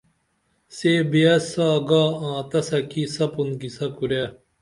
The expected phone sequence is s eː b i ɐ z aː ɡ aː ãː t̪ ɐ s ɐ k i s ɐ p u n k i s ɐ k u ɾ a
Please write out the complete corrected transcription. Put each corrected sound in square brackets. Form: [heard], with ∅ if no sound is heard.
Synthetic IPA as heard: s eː b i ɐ [s] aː ɡ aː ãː t̪ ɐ s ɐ k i s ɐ p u n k i s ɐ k u ɾ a